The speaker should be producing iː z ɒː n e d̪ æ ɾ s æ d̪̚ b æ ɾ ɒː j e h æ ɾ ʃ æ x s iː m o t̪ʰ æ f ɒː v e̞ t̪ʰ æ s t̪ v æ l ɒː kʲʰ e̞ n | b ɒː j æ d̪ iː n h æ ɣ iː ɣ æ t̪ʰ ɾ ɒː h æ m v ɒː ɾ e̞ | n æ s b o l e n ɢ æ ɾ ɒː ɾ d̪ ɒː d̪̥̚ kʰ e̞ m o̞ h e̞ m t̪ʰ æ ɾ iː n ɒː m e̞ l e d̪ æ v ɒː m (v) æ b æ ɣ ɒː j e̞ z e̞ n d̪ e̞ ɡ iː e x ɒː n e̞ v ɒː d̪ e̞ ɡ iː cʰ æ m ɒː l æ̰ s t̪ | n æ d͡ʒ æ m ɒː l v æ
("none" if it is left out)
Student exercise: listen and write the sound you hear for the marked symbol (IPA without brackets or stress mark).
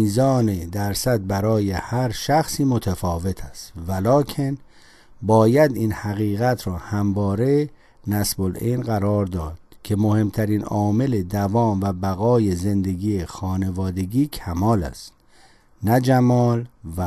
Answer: v